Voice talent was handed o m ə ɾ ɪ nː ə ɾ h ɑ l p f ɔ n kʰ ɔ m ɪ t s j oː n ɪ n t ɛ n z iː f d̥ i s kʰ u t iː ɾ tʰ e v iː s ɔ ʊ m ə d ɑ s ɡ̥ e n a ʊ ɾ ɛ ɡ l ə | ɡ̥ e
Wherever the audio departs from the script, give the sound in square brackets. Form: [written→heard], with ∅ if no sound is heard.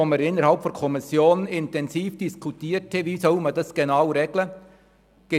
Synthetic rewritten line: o m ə ɾ ɪ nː ə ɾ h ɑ l p f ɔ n kʰ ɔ m ɪ [t→∅] s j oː n ɪ n t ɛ n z iː f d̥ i s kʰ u t iː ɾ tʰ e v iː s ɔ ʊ m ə d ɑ s ɡ̥ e n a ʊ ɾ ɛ ɡ l ə | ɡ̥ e